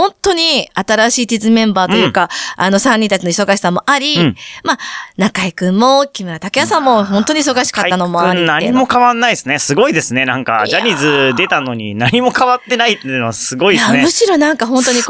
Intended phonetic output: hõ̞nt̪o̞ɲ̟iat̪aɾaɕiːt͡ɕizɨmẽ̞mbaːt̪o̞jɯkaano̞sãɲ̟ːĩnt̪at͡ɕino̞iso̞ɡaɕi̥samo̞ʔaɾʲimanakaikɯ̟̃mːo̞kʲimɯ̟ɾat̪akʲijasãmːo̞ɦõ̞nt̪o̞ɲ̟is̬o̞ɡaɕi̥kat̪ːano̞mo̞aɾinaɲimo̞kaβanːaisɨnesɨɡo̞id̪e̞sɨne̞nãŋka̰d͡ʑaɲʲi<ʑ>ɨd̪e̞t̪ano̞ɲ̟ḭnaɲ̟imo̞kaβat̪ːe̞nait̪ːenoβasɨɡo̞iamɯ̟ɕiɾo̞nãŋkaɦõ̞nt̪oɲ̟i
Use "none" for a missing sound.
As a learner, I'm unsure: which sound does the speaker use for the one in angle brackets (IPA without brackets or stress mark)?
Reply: z